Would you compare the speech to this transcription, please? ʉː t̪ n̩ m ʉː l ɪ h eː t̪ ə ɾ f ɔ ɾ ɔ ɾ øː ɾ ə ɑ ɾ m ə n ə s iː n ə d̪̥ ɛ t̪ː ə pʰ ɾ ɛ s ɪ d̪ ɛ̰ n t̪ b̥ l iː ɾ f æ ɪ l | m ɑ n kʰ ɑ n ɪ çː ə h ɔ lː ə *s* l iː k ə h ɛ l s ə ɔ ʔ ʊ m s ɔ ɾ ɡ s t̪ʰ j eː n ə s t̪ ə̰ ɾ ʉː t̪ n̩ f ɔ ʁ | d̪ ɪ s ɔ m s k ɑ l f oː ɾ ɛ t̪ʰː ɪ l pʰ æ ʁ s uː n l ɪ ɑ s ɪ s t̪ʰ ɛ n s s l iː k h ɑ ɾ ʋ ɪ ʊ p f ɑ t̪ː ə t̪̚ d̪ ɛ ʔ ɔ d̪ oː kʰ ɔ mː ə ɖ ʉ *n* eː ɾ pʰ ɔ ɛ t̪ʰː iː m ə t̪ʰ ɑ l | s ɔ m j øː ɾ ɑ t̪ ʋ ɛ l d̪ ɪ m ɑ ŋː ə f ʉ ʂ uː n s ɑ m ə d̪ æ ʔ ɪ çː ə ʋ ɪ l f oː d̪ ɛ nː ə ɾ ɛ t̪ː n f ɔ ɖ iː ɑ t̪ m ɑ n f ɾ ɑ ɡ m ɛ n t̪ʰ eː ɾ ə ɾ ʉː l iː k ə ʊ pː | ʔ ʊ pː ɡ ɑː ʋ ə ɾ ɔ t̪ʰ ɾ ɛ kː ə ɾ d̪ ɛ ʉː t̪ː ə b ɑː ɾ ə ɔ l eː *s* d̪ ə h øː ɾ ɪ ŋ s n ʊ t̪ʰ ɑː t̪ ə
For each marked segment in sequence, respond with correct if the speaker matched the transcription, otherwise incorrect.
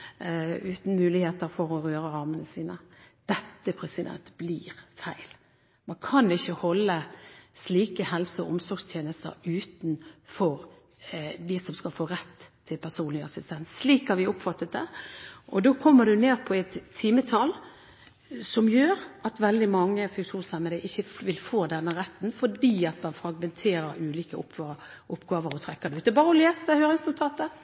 correct, correct, correct

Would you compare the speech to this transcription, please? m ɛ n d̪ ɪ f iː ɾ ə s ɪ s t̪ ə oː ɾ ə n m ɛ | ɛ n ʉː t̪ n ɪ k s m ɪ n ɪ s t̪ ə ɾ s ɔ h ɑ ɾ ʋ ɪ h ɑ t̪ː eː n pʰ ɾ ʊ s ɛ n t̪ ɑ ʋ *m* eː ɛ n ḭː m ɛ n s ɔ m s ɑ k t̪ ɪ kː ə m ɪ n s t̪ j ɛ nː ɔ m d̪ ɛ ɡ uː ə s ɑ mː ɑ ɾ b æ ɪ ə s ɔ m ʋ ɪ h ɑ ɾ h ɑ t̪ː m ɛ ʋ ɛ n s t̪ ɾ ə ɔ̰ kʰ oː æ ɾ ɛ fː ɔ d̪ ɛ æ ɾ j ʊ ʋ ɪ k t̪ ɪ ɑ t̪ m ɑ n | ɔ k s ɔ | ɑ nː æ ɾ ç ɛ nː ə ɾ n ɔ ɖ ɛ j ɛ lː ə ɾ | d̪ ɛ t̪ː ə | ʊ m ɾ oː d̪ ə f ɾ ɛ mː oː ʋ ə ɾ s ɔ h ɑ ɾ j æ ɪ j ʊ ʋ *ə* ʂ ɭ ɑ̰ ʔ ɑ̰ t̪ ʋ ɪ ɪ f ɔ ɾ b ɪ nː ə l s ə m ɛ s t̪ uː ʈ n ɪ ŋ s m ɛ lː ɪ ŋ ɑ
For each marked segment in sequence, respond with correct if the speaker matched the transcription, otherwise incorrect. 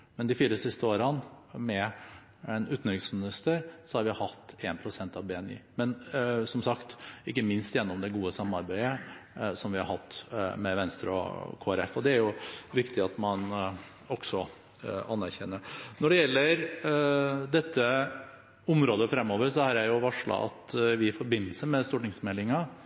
incorrect, incorrect

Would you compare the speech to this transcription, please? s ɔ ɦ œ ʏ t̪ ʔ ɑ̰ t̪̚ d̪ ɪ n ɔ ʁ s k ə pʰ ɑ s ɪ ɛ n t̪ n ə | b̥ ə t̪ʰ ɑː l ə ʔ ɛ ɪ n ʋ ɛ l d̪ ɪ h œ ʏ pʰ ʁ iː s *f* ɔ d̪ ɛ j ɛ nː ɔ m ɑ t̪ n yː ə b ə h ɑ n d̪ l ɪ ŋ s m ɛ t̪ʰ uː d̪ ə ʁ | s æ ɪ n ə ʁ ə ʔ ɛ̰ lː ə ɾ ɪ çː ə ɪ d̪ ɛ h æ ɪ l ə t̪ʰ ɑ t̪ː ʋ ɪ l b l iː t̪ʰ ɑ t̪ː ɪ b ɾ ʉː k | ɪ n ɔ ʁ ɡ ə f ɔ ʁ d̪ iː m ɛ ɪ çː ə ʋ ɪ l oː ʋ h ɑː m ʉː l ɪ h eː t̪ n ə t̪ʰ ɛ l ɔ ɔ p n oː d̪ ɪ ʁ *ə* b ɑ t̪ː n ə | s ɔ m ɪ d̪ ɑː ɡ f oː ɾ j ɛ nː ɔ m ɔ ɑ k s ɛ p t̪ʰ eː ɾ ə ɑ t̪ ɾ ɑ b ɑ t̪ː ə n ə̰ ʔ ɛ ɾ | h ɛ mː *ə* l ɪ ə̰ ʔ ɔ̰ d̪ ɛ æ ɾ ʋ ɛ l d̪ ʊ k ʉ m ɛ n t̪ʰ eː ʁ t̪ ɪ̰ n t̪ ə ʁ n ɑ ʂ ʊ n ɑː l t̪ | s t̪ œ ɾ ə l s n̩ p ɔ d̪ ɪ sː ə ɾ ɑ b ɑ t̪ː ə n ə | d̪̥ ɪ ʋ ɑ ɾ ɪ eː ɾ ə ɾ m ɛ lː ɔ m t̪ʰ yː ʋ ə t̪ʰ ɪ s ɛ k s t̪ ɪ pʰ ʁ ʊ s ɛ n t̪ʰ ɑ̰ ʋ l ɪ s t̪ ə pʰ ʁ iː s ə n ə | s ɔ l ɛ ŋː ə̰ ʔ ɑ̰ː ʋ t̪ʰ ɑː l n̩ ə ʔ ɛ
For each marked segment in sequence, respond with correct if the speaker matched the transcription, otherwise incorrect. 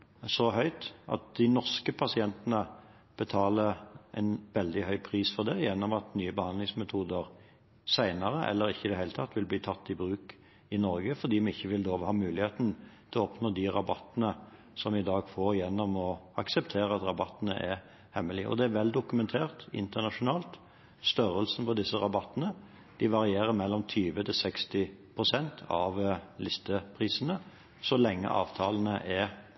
correct, incorrect, correct

